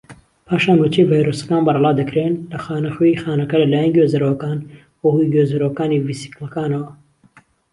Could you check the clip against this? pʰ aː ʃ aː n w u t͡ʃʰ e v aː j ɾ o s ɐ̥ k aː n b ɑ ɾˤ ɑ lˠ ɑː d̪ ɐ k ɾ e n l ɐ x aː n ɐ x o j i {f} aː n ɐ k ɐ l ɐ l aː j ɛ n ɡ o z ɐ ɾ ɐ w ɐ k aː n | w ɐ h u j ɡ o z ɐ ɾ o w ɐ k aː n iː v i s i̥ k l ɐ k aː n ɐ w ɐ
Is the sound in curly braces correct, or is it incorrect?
incorrect: x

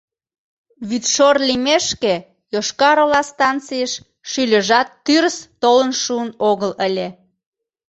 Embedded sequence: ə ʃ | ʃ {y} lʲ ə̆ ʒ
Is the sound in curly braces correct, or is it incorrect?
correct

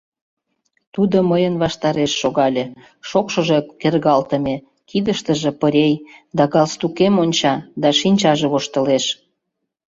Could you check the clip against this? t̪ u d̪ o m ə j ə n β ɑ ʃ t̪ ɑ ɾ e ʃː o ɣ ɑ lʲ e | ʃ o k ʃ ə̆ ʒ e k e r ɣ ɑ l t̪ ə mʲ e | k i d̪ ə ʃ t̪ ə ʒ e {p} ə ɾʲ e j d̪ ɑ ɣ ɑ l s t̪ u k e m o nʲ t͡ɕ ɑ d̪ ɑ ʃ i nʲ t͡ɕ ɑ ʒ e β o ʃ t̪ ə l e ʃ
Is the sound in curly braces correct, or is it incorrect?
correct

